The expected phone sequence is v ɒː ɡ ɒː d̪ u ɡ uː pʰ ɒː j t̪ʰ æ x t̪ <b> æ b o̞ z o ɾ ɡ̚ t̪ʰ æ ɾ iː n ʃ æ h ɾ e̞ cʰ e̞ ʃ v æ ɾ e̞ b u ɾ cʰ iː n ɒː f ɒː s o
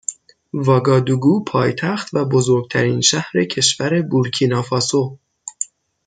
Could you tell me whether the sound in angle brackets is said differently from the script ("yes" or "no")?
yes